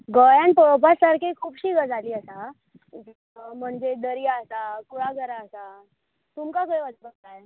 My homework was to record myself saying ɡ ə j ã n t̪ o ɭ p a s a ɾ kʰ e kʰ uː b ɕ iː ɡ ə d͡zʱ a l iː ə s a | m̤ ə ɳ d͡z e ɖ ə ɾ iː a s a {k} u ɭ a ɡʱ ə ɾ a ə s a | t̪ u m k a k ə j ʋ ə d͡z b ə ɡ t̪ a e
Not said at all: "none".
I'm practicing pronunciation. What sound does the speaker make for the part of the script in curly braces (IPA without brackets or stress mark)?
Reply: k